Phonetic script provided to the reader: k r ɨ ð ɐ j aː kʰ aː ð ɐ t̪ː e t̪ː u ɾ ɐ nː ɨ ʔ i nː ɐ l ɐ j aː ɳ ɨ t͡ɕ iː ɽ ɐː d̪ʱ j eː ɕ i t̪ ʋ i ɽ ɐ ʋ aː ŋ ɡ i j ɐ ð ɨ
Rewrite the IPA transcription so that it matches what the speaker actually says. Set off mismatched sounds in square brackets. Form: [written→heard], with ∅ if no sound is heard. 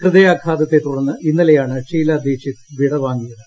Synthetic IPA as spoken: k r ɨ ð ɐ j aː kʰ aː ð ɐ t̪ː e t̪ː u [ɾ→ɽ] ɐ nː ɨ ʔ i nː ɐ l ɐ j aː ɳ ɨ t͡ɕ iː [ɽ→l] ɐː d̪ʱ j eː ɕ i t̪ ʋ i ɽ ɐ ʋ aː ŋ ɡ i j ɐ ð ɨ